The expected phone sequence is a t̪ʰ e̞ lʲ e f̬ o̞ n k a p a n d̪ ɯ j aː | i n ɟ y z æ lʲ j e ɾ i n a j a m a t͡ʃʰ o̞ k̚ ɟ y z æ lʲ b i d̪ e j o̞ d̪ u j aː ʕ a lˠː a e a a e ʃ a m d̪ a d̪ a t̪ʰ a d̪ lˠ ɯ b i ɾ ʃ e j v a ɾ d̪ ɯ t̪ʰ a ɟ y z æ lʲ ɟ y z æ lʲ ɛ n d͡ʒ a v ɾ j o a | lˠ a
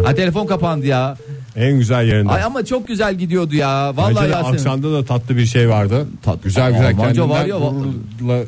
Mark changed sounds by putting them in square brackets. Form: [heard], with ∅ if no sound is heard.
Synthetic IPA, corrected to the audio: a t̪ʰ e̞ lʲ e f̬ o̞ n k a p a n d̪ ɯ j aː | [æ] n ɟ y z æ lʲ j e ɾ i n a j a m a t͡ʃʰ o̞ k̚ ɟ y z æ lʲ [ɟ] i d̪ [i] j o̞ d̪ u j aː [v] a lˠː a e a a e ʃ a m d̪ a d̪ a t̪ʰ a [t̪] lˠ ɯ b i ɾ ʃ e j v a ɾ d̪ ɯ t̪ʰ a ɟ y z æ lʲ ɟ y z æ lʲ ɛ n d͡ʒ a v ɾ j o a | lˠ a